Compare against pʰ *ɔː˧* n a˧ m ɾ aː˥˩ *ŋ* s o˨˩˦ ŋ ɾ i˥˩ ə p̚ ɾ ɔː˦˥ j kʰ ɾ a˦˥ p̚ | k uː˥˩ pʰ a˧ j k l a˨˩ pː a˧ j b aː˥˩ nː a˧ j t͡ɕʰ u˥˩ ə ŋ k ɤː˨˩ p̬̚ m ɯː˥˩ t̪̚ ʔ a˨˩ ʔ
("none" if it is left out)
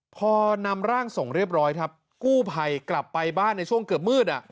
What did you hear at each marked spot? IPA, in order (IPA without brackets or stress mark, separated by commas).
ɔː˧, ŋ